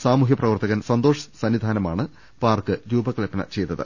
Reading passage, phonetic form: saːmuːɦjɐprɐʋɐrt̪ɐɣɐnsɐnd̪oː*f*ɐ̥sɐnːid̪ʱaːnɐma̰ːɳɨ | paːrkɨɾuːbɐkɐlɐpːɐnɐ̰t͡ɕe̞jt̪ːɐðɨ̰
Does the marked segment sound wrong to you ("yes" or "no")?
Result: yes